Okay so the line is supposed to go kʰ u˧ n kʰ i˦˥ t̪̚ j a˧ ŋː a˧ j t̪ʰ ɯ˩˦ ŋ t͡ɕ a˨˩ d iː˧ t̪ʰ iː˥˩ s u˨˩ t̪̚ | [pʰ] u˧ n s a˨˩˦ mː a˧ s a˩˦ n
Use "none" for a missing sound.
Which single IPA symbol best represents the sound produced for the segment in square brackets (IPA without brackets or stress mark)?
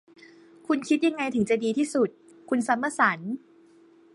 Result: kʰ